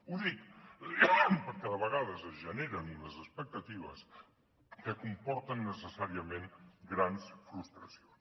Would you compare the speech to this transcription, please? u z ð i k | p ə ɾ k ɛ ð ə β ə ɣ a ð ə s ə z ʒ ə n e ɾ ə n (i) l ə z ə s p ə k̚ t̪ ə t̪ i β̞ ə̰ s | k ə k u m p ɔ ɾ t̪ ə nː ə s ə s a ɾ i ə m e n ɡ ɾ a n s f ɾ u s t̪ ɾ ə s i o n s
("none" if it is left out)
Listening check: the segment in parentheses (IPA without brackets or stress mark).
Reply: i